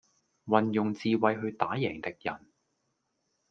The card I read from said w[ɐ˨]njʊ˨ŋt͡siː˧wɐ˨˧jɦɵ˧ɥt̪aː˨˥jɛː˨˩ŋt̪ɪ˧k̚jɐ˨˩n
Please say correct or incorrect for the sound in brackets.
correct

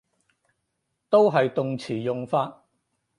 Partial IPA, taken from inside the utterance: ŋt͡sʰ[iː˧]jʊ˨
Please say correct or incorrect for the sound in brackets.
incorrect: iː˨˩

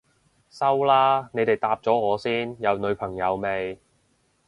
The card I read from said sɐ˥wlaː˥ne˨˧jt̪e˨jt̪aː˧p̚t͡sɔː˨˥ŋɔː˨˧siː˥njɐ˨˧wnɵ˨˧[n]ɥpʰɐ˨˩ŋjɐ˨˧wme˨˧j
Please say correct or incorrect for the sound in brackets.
incorrect: none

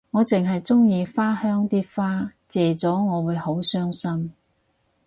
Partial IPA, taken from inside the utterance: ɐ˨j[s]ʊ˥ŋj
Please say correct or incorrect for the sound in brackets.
incorrect: t͡s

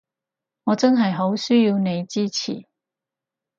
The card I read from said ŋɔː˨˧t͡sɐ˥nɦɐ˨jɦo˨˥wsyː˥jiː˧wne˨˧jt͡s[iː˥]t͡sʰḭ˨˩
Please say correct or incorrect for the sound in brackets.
correct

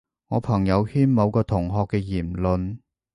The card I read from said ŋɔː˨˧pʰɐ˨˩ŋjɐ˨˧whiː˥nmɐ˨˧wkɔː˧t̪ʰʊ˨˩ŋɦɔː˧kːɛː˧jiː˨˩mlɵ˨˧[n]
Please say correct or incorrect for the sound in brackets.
correct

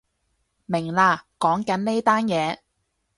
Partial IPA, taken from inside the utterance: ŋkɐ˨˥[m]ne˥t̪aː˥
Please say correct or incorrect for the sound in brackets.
incorrect: n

